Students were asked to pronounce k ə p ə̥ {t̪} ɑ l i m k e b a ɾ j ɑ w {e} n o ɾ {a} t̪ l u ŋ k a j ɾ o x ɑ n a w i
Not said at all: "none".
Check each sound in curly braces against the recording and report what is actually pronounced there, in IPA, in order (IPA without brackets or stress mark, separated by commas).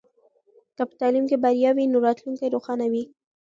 t̪, i, ɑ